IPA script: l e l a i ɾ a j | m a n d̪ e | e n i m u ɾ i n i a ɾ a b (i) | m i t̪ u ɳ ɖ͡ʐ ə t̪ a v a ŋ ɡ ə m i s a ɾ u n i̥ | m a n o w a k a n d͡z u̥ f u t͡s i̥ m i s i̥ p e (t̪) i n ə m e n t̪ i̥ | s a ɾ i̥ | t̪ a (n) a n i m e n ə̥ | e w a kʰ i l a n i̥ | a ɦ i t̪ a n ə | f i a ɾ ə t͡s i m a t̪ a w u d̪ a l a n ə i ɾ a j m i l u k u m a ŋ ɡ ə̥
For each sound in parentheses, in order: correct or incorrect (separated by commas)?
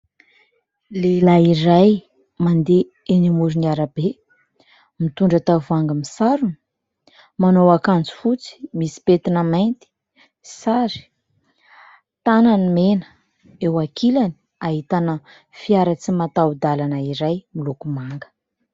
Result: incorrect, correct, correct